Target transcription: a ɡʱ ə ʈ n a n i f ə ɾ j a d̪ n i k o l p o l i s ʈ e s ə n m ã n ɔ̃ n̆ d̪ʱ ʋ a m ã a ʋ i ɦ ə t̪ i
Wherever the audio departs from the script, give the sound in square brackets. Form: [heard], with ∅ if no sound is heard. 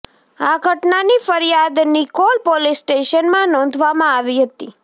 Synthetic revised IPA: a ɡʱ ə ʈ n a n i f ə ɾ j a d̪ n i k o l p o l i s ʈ e [ʃ] ə n m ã n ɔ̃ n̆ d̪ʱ ʋ a m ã a ʋ i ɦ ə t̪ i